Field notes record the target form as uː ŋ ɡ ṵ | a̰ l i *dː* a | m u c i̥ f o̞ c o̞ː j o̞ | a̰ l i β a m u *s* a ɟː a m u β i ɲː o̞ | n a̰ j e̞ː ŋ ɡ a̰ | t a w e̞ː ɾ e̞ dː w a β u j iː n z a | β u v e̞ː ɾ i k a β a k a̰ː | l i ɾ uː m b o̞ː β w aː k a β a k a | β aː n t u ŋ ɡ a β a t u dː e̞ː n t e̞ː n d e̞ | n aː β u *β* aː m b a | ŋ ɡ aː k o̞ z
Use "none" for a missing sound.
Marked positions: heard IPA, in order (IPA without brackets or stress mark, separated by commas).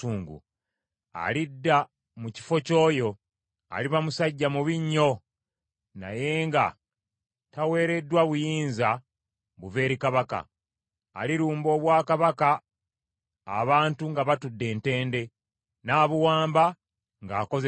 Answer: dː, s, w